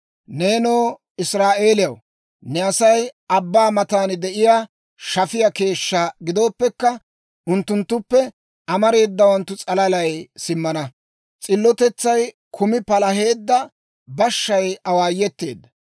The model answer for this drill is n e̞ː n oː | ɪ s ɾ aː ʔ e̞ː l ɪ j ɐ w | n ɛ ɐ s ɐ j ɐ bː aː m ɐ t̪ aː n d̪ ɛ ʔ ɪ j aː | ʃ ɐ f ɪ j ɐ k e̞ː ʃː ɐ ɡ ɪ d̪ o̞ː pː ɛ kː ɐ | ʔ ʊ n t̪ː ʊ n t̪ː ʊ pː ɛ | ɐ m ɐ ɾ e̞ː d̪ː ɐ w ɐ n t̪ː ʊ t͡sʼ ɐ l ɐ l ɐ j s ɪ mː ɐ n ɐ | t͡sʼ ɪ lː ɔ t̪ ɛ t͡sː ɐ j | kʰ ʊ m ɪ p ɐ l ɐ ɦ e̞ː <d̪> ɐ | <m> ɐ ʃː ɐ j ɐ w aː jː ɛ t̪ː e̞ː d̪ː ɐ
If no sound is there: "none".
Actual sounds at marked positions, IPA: d̪ː, b

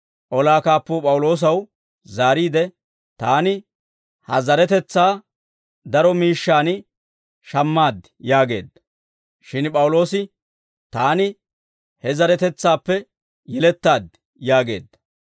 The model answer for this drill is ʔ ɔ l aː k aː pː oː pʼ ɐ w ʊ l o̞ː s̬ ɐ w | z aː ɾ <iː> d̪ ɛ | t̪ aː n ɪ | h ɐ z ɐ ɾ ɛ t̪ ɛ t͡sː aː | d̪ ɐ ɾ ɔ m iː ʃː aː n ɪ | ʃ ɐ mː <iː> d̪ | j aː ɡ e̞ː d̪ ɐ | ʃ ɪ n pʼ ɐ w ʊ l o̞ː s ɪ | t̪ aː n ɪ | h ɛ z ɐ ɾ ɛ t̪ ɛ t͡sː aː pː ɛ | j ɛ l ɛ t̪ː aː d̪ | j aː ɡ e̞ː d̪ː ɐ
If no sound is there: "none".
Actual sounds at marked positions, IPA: iː, aː

